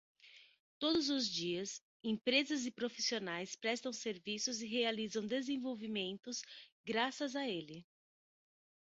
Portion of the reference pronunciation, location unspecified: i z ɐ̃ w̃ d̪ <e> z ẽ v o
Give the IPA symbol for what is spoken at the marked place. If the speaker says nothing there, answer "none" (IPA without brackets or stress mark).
e